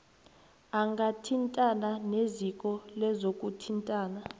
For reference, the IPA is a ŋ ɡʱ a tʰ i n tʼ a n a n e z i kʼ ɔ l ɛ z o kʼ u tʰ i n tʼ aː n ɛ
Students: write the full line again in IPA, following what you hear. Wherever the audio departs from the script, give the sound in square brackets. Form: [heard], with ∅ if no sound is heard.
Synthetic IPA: a ŋ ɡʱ a tʰ i n tʼ a n a n e z i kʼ ɔ l ɛ z o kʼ u tʰ i n tʼ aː n [a]

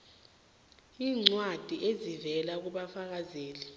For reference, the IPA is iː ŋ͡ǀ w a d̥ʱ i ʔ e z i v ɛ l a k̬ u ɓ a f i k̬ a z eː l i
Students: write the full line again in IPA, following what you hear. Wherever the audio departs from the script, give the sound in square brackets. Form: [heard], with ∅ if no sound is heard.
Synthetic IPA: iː ŋ͡ǀ w a d̥ʱ i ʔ e z i v ɛ l a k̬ u ɓ a f [a] k̬ a z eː l i

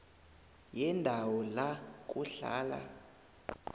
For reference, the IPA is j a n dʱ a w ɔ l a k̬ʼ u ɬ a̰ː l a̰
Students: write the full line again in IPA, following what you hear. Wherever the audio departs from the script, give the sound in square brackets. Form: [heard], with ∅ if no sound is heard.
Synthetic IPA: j [ɛ] n dʱ a w ɔ l a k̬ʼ u ɬ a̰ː l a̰

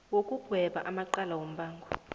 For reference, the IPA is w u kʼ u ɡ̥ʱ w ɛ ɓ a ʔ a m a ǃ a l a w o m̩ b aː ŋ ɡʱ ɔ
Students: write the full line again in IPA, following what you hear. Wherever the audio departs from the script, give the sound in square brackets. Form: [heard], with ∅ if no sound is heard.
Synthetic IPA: w [o] kʼ u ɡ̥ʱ w ɛ ɓ a ʔ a m a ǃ a l a w o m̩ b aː ŋ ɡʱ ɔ

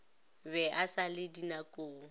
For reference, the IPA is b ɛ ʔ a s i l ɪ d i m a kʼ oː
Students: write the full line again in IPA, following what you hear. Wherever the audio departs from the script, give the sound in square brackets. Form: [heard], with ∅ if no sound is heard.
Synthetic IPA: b ɛ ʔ a s [a] l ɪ d i [n] a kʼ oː

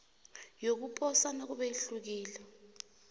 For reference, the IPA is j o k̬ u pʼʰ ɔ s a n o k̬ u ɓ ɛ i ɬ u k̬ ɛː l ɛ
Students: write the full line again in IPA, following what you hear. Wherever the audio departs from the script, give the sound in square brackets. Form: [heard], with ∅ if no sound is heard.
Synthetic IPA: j o k̬ u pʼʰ ɔ s a n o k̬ u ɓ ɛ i ɬ u k̬ [iː] l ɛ

